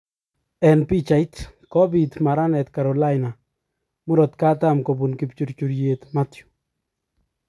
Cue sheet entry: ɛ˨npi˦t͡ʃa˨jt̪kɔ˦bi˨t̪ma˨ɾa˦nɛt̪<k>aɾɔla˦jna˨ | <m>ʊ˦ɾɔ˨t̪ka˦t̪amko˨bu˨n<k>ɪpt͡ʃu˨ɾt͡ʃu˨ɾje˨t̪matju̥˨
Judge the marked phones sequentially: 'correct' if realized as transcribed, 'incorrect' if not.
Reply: correct, correct, correct

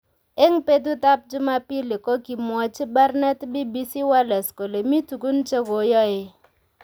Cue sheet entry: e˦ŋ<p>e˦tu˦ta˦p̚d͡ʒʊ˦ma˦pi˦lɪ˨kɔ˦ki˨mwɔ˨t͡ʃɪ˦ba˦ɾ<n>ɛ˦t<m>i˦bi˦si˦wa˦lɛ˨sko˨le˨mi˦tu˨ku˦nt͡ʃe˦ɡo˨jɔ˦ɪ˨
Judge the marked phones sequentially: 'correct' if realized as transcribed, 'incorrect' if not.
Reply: correct, correct, incorrect: b

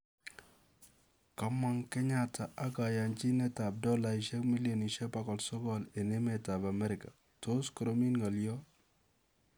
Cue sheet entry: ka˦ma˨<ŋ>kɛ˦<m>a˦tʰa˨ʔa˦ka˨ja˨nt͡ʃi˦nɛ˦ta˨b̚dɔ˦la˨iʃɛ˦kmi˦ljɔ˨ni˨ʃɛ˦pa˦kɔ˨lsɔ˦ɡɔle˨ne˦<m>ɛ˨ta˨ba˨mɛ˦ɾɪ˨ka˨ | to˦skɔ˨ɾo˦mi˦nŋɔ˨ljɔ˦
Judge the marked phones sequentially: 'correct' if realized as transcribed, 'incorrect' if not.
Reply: correct, incorrect: ɲ, correct

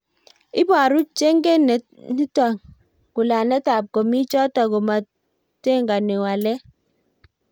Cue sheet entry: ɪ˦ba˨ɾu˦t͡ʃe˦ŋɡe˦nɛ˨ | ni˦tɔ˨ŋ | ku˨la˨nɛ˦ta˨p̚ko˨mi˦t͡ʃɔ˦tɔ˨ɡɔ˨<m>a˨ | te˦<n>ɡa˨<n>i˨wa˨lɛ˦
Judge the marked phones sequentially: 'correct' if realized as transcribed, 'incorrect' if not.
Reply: correct, incorrect: ŋ, correct

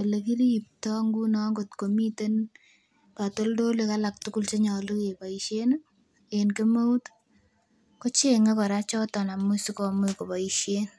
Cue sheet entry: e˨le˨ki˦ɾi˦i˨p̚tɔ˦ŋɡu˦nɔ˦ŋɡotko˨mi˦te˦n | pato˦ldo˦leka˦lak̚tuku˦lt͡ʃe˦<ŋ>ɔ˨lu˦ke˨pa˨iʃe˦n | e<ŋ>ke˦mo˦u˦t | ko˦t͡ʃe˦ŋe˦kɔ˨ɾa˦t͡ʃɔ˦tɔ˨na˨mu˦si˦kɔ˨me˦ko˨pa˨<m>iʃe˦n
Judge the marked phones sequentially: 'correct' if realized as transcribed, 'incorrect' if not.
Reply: incorrect: ɲ, incorrect: n, incorrect: none

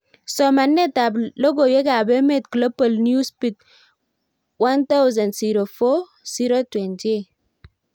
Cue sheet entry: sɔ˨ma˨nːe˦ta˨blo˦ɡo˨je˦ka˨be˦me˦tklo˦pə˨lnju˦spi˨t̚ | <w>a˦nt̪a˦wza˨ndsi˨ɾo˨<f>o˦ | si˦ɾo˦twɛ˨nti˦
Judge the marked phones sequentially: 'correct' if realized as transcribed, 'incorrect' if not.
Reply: correct, correct

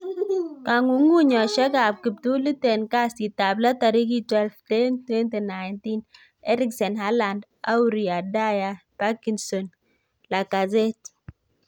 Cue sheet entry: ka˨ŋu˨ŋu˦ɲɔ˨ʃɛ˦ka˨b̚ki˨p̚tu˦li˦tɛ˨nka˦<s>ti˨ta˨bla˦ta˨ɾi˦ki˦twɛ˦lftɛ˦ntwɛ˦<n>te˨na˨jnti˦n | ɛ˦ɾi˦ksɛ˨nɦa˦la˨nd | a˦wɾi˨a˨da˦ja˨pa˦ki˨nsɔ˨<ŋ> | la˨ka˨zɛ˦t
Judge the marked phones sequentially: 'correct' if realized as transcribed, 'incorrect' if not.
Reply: correct, correct, incorrect: n

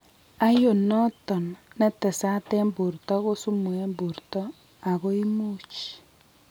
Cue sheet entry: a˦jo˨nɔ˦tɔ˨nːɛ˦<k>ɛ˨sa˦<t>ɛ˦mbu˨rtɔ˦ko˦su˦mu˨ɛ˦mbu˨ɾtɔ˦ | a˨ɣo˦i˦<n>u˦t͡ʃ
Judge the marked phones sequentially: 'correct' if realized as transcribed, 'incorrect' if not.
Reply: incorrect: t, correct, incorrect: m

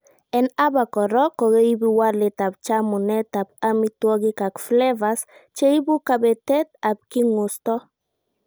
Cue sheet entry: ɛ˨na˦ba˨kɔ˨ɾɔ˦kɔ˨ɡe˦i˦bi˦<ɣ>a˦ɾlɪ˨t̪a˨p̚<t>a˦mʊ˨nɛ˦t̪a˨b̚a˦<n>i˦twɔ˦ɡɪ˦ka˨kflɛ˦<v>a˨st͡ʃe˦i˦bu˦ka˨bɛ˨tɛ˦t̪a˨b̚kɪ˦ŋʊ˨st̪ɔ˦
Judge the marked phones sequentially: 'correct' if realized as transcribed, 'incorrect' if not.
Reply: incorrect: w, incorrect: t͡ʃ, incorrect: m, correct

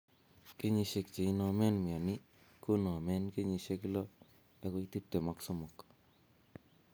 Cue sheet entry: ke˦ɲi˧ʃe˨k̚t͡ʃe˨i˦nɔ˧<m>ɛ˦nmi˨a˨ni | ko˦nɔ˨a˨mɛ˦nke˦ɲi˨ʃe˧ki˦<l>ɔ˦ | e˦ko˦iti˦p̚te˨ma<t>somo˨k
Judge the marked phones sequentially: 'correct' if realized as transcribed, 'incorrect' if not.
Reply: correct, correct, incorrect: k

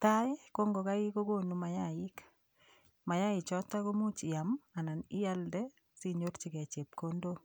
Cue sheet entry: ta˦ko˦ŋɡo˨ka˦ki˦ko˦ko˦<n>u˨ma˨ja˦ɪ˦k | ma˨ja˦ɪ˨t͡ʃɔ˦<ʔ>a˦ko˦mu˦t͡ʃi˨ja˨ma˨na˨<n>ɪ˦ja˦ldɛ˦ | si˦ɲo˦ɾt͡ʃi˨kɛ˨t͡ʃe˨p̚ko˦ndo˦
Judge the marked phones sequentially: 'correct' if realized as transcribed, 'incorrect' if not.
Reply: correct, incorrect: t, correct

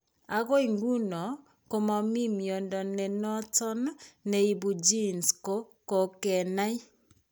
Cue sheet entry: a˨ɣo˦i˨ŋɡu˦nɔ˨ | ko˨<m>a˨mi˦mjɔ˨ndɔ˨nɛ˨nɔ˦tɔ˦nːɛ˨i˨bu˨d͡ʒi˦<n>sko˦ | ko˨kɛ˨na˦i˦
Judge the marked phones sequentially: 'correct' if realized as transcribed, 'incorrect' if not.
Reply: correct, correct

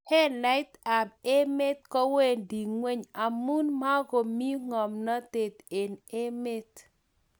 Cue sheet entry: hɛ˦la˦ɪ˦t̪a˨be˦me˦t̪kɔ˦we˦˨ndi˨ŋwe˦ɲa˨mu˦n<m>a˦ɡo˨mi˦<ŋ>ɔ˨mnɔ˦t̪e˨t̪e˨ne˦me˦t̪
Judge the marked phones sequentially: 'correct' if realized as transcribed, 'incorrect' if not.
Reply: correct, correct

